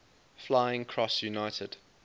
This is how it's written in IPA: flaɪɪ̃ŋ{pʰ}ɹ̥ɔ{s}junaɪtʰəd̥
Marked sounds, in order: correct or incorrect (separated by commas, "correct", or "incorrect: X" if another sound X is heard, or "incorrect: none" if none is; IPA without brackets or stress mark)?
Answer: incorrect: kʰ, correct